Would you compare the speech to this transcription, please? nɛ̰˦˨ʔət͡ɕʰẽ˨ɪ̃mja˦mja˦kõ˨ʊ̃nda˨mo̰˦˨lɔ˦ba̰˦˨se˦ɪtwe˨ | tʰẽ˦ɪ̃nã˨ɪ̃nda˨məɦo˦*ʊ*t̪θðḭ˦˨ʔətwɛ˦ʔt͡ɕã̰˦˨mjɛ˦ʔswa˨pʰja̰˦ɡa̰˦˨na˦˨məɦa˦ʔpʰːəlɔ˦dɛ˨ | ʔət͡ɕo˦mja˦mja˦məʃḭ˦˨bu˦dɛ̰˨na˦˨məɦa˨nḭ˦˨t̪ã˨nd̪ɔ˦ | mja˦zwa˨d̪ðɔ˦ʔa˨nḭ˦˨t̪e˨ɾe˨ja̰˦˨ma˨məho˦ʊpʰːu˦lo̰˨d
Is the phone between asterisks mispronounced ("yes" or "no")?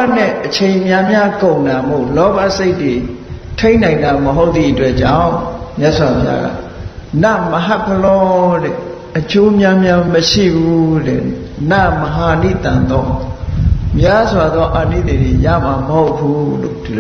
no